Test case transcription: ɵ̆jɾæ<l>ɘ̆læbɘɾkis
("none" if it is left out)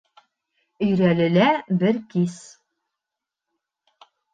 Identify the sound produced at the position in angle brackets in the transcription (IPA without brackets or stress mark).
l